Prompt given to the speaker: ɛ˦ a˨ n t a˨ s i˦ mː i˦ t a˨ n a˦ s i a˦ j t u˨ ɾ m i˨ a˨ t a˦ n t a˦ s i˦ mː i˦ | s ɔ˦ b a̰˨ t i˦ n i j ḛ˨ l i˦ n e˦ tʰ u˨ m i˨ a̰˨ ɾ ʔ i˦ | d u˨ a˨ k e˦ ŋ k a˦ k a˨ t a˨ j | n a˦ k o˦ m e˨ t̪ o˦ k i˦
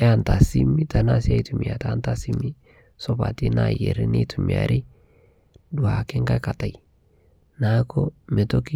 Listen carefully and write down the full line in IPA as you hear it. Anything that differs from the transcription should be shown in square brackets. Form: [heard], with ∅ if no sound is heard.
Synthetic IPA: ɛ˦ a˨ n t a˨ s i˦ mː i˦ t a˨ n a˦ s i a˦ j t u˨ [∅] m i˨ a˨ t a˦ n t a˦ s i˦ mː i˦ | s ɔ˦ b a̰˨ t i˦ n [a] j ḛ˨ [ɾ] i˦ n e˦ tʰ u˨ m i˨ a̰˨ ɾ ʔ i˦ | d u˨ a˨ k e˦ ŋ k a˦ k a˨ t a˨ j | n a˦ k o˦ m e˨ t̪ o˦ k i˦